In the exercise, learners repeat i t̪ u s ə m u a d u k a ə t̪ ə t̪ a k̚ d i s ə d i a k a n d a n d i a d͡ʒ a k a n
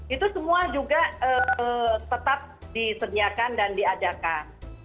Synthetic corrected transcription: i t̪ u s ə m u a d͡ʒ u ɡ a ə t̪ ə t̪ a p̚ d i s ə d i a k a n d a n d i a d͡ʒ a k a n